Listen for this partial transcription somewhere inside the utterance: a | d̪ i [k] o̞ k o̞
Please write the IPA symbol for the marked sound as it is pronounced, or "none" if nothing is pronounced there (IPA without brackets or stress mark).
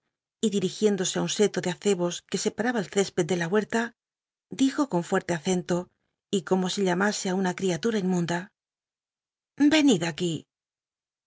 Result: x